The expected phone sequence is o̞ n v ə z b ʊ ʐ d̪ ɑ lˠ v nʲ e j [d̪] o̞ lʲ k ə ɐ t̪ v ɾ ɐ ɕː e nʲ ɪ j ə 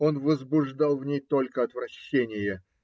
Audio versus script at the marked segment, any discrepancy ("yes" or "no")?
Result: yes